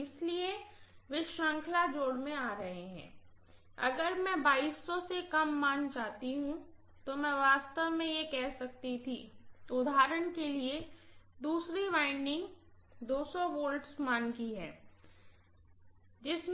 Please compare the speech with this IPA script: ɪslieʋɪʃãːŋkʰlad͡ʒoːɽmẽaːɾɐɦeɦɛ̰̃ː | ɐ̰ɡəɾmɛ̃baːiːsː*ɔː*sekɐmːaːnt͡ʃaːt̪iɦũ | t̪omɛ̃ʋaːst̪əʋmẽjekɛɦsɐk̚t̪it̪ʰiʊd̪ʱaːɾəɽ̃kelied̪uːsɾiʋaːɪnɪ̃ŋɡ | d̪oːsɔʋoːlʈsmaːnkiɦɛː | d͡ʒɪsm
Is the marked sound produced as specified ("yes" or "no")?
no